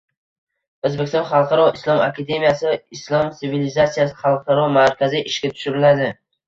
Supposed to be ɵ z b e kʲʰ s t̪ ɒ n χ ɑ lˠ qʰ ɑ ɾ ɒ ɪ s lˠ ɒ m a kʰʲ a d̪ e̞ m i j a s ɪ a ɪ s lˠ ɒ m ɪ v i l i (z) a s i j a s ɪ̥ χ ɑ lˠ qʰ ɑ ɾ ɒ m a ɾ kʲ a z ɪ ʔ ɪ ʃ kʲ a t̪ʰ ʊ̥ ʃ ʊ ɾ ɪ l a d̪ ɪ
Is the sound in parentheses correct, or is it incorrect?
correct